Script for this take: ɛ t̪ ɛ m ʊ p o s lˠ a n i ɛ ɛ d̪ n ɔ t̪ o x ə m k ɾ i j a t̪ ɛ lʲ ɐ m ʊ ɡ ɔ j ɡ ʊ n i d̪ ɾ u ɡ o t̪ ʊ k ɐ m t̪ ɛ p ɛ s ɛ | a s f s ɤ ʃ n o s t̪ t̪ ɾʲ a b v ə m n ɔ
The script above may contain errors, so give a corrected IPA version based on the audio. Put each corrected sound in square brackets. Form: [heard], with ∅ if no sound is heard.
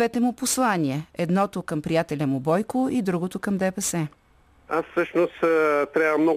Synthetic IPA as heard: ɛ t̪ ɛ m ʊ p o s lˠ a n i ɛ ɛ d̪ n ɔ t̪ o [k] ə m [p] ɾ i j a t̪ ɛ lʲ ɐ m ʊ [b] ɔ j [k] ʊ [∅] i d̪ ɾ u ɡ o t̪ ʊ k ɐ m [d̪] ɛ p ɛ s ɛ | a s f s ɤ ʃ n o s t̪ t̪ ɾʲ a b v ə m n ɔ